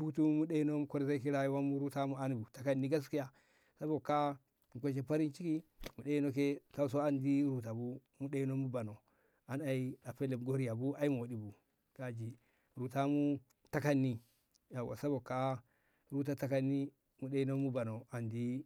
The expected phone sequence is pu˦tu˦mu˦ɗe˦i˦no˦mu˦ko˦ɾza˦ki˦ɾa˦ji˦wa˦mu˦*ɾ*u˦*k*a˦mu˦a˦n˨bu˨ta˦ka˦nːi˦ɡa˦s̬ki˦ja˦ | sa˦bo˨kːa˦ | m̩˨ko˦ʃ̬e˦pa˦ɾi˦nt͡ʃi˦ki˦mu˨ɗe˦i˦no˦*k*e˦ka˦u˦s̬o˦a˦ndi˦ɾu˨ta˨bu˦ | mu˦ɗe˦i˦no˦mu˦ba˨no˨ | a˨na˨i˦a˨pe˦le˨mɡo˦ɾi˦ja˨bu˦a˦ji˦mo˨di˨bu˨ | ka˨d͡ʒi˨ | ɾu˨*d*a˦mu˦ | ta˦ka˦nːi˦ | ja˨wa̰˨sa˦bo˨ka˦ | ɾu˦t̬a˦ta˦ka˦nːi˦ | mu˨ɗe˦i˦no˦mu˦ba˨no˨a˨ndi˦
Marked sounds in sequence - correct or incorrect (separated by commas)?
correct, incorrect, correct, incorrect